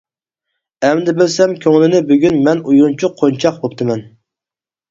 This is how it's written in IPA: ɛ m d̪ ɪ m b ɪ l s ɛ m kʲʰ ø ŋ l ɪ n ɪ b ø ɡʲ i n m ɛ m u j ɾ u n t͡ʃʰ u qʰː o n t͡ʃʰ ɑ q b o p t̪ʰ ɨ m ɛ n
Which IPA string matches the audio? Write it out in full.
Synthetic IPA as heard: ɛ m d̪ ɪ b ɪ l s ɛ m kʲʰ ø ŋ l ɪ n ɪ b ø ɡʲ y n m ɛ n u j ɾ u n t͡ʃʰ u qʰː o n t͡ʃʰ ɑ q b o p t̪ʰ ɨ m ɛ n